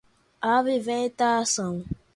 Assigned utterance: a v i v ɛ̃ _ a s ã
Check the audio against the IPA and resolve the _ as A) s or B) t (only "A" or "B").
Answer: B